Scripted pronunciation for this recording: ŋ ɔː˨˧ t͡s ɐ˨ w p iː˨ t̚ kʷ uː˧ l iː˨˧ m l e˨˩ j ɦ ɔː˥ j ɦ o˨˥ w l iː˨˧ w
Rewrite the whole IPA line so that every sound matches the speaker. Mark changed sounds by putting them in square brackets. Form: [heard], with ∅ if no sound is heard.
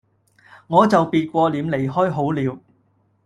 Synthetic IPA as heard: ŋ ɔː˨˧ t͡s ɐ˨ w p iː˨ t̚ kʷ [ɔː˧] l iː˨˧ m l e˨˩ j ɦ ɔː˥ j ɦ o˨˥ w l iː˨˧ w